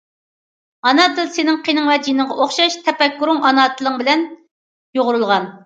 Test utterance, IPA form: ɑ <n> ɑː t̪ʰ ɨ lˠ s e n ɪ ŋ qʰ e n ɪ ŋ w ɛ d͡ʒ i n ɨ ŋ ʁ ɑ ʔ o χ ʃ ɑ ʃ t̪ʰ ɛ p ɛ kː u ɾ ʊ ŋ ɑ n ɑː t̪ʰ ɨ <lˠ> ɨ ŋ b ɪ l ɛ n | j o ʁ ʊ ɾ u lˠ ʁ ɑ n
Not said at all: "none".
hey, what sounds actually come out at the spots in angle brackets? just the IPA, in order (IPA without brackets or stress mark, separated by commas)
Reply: n, lˠ